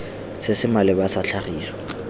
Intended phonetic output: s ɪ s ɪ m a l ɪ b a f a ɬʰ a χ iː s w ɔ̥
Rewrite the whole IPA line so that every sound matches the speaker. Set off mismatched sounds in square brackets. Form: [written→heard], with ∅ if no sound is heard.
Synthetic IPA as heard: s ɪ s ɪ m a l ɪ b a [f→s] a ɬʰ a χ iː s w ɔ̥